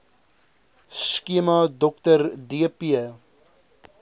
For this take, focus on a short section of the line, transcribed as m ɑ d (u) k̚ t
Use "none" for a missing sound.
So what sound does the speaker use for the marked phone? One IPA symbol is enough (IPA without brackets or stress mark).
ɔ